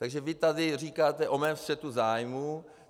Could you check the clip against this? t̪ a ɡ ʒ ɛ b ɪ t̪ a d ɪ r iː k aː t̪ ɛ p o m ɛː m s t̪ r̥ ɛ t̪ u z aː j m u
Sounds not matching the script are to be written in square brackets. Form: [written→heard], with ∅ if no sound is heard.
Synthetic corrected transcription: t̪ a ɡ ʒ ɛ [b→v] ɪ t̪ a d ɪ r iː k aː t̪ ɛ [p→ʔ] o m ɛː m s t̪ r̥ ɛ t̪ u z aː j m u